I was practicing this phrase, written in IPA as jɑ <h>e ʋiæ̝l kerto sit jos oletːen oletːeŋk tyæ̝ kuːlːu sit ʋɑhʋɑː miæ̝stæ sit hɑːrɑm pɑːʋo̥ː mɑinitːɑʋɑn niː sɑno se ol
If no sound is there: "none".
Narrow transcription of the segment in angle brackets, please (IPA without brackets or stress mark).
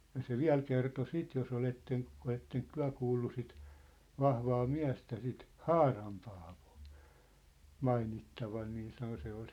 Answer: s